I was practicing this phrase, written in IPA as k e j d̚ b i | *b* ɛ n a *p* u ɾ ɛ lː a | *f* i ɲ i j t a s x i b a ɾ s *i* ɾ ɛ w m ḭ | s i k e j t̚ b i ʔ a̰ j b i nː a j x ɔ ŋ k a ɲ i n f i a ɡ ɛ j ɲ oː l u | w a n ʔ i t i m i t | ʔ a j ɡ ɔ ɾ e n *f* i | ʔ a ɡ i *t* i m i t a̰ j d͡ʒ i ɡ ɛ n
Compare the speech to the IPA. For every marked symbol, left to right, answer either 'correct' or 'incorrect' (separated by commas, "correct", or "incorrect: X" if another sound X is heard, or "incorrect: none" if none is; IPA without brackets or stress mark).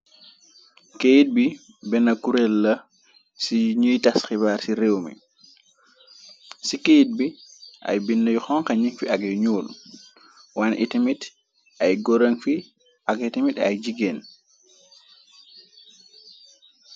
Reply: correct, incorrect: k, incorrect: s, correct, correct, correct